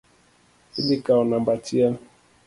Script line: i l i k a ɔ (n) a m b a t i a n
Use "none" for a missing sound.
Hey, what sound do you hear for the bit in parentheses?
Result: n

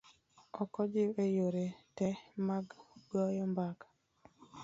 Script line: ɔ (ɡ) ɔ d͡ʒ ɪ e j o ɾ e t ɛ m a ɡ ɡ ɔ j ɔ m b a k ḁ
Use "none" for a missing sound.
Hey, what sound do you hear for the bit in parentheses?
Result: k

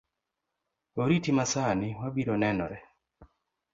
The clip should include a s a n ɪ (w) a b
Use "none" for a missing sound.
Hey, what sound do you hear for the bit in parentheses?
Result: w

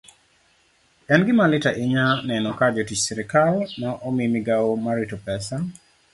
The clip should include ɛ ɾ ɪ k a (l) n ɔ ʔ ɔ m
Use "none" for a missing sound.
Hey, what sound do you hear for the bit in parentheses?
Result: l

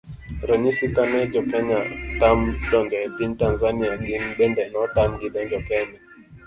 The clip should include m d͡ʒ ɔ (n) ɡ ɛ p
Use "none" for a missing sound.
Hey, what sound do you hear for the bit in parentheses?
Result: ŋ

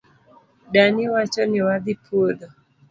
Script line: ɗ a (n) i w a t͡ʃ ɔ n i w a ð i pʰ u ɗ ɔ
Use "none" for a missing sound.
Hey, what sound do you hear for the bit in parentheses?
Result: n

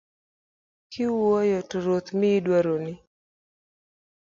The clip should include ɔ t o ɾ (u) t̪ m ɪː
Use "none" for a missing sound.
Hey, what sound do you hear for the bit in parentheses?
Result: o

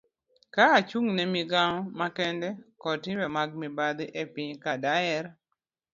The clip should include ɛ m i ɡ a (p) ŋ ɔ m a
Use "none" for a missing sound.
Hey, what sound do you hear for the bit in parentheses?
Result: none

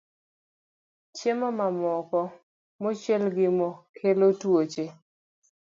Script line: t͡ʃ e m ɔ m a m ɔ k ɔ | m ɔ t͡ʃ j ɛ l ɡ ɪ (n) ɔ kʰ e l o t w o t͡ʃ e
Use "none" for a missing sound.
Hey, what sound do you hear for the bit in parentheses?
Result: m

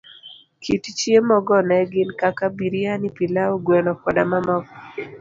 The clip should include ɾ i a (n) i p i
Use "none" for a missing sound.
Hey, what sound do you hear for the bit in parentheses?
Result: n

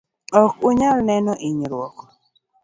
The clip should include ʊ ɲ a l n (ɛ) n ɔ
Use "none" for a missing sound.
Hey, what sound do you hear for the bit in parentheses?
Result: ɛ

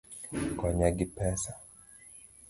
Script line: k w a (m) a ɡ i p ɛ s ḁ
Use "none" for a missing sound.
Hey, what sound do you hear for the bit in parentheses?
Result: ɲ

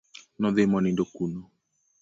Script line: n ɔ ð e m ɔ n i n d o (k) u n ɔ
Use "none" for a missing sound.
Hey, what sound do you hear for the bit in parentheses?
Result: k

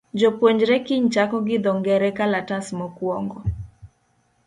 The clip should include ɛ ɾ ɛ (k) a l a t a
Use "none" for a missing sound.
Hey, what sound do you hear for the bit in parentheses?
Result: k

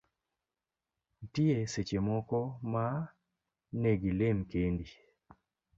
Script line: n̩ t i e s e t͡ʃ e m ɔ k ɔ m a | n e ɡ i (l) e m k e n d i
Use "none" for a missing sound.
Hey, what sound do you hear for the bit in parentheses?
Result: l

